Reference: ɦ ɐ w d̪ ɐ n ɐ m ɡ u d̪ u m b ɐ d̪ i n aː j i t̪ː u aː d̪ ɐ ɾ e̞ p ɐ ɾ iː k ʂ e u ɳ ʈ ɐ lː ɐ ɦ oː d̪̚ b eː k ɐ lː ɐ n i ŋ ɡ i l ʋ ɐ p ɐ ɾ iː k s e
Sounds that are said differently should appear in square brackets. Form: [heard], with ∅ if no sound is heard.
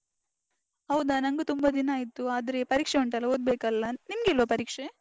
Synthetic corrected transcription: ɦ ɐ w d̪ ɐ n ɐ [ŋ] ɡ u [t̪] u m b ɐ d̪ i n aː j i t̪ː u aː d̪ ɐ ɾ e̞ p ɐ ɾ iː k ʂ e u ɳ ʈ ɐ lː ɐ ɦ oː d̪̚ b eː k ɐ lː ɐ n i [m] ɡ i l ʋ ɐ p ɐ ɾ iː k [ʂ] e